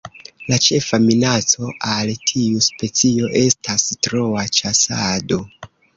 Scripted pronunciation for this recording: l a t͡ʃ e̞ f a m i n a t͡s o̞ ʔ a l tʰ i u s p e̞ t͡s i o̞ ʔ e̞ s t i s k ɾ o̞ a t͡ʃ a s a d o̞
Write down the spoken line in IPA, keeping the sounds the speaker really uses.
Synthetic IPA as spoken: l a t͡ʃ e̞ f a m i n a t͡s o̞ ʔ a l tʰ i u s p e̞ t͡s i o̞ ʔ e̞ s t a s t ɾ o̞ a t͡ʃ a s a d o̞